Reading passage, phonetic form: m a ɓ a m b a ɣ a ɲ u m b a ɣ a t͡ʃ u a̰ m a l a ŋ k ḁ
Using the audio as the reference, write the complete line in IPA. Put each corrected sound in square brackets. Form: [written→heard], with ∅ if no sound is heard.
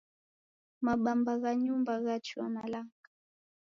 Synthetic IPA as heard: m a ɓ a m b a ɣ a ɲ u m b a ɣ a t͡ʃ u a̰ m a l a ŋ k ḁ